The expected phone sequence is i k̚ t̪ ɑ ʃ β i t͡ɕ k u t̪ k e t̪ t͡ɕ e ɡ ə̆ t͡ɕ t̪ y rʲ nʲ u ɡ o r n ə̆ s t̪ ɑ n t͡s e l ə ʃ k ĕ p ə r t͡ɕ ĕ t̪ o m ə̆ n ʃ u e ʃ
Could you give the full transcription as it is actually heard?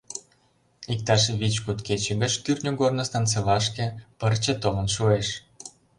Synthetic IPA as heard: i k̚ t̪ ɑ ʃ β i t͡ɕ k u t̪ k e t͡ɕ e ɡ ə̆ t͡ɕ t̪ y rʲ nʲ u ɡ o r n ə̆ s t̪ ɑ n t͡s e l ɑ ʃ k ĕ p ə r t͡ɕ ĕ t̪ o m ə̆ n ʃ u e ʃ